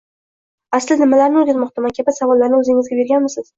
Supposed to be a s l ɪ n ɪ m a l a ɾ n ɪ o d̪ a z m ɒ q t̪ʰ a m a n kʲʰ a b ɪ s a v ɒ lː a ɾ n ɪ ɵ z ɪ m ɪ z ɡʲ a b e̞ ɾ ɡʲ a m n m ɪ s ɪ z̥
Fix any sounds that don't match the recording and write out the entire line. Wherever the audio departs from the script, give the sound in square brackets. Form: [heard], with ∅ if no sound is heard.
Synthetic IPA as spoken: a s l ɪ n ɪ m a l a ɾ n ɪ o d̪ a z m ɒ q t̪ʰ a m a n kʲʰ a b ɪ s a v ɒ lː a ɾ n ɪ ɵ z ɪ [ŋ] ɪ z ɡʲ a b e̞ ɾ ɡʲ a [∅] n m ɪ s ɪ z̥